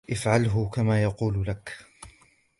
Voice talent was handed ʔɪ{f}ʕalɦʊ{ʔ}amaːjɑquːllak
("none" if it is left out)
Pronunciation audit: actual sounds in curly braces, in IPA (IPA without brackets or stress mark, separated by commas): f, k